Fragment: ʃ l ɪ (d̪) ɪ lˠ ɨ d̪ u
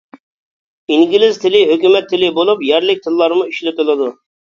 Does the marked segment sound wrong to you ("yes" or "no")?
yes